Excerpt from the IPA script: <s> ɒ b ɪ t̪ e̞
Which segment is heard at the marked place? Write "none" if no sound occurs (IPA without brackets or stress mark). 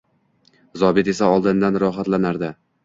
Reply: z